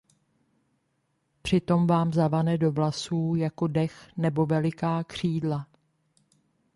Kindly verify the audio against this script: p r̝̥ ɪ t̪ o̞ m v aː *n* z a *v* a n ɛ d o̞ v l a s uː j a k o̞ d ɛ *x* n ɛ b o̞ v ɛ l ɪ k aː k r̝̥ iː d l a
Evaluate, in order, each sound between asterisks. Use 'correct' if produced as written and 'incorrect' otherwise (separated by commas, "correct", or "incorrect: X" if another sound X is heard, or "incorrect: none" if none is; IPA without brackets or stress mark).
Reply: incorrect: m, correct, correct